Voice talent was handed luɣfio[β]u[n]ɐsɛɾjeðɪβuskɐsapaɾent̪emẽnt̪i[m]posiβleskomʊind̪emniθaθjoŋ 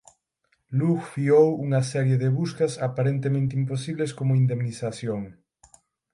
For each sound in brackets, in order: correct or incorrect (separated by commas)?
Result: incorrect, incorrect, correct